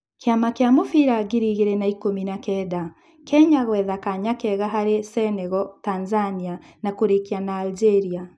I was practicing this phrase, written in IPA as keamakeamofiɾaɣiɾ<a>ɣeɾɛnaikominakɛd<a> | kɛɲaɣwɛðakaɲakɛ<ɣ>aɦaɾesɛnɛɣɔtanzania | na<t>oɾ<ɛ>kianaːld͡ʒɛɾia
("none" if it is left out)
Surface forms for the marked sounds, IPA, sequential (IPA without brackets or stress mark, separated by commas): i, a, ɣ, k, e